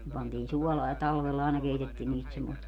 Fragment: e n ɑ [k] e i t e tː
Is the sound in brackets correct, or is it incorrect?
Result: correct